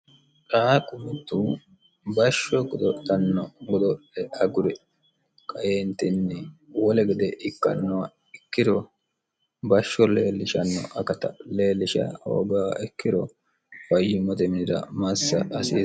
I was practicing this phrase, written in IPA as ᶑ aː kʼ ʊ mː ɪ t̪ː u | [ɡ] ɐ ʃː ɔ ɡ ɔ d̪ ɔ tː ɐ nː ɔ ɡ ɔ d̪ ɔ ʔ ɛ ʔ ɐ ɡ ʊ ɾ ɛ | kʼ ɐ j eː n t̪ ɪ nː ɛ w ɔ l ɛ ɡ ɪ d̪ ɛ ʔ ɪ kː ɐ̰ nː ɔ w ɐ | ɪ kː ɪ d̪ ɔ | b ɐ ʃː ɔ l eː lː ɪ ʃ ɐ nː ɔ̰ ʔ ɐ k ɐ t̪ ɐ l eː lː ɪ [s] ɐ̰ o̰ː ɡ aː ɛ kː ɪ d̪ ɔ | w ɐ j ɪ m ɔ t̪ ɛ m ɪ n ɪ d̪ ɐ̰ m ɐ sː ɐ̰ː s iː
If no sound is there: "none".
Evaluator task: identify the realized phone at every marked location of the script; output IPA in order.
b, ʃ

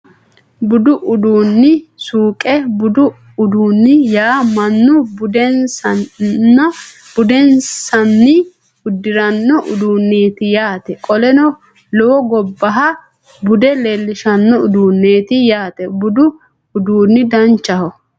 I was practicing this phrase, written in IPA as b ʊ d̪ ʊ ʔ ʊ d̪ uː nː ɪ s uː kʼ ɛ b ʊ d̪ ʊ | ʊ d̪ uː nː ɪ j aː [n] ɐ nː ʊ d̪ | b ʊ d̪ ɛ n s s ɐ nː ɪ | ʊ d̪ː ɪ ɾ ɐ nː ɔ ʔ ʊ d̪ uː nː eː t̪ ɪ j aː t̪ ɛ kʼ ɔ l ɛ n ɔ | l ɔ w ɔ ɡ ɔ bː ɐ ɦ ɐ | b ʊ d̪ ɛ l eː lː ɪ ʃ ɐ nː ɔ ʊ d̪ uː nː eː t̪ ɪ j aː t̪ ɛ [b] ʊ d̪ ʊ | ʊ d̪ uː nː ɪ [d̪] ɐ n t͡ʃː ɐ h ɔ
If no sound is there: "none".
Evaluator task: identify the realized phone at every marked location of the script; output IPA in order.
m, b, d̪

